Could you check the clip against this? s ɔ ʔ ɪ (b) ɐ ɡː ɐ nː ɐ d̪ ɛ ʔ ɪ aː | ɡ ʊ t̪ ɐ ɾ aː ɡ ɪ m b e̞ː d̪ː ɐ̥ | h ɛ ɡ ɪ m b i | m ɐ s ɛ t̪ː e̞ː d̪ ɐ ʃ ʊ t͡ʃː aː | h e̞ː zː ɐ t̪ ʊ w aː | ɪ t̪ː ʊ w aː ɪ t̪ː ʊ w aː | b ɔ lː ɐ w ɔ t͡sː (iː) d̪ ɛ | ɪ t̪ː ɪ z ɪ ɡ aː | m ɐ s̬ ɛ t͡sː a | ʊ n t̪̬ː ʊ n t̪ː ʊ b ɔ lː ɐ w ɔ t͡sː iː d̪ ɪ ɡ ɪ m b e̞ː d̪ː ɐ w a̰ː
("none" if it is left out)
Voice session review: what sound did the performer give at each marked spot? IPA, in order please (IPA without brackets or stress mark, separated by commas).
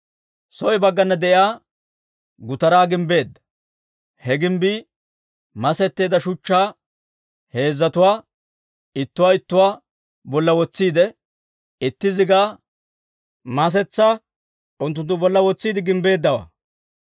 b, iː